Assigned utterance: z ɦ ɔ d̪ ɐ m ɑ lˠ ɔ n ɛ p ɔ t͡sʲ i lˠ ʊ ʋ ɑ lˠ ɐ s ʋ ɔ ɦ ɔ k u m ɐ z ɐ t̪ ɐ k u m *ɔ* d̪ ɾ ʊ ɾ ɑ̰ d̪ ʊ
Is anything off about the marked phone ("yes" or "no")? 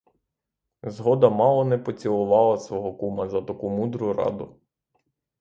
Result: yes